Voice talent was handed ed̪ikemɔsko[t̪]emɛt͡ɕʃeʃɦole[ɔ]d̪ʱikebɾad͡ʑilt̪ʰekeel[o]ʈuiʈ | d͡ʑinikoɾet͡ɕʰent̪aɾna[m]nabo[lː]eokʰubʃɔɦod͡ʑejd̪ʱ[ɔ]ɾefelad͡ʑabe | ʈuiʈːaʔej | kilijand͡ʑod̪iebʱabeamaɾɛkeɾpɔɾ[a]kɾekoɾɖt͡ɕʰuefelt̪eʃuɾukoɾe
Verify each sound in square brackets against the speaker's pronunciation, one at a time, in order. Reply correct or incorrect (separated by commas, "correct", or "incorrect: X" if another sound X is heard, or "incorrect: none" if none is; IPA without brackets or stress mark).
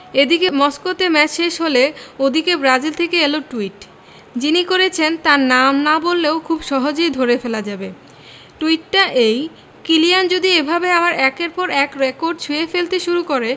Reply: correct, incorrect: o, correct, correct, correct, incorrect: o, incorrect: ɛ